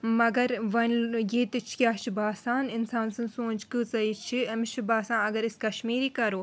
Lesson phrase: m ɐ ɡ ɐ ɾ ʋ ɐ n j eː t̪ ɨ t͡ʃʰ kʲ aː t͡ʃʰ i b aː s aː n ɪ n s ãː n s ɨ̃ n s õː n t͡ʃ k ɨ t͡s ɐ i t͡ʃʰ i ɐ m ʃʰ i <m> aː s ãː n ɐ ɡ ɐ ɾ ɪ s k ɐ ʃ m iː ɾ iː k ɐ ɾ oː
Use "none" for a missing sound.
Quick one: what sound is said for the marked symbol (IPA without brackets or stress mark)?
b